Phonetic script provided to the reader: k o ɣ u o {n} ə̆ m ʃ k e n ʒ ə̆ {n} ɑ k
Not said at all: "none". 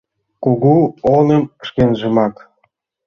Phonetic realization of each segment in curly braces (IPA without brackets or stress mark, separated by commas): n, m